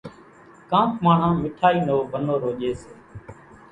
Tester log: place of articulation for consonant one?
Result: velar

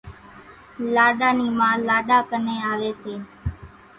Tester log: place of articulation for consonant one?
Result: alveolar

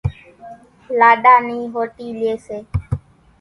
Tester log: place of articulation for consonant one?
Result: alveolar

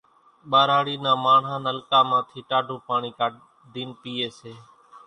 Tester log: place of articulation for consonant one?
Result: labial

